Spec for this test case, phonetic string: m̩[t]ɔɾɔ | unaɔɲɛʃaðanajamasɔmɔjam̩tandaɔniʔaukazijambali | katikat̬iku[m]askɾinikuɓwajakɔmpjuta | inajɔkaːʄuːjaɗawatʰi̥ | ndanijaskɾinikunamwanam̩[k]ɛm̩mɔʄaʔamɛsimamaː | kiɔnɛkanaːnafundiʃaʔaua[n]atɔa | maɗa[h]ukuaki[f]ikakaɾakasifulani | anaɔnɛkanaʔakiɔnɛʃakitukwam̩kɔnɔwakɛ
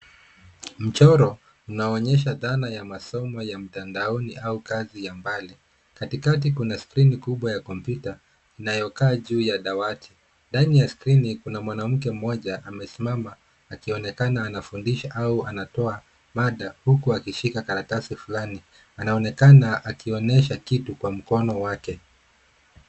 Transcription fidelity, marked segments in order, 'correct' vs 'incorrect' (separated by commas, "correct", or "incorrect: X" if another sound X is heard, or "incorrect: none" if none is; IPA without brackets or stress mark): incorrect: t͡ʃ, incorrect: n, correct, correct, correct, incorrect: ʃ